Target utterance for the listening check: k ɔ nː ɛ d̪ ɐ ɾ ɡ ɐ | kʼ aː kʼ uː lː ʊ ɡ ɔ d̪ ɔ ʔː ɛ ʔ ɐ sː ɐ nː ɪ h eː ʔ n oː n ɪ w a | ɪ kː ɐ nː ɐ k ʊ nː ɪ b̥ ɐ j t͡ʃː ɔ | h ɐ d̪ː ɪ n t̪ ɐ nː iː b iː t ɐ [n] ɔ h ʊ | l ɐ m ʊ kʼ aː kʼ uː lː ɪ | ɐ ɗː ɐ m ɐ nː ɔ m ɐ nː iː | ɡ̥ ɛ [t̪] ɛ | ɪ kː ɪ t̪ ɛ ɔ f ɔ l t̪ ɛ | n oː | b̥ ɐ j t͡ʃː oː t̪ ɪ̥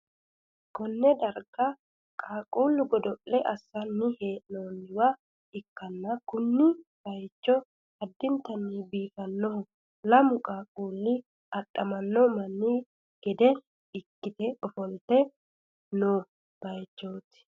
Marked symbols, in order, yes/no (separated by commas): no, no